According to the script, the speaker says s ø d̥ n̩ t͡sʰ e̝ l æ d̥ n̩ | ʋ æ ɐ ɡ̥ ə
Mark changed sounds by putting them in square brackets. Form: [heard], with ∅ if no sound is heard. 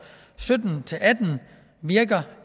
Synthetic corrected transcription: s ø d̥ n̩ t͡sʰ e̝ l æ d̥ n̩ | ʋ [i] ɐ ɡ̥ [ɐ]